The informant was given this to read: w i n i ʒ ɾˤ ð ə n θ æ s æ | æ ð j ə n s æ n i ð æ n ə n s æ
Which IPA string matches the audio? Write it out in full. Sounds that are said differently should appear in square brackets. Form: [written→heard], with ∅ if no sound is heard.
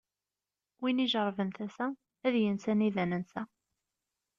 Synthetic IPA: w i n i ʒ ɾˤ [ð→v] ə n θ æ s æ | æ ð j ə n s æ n i ð æ n ə n s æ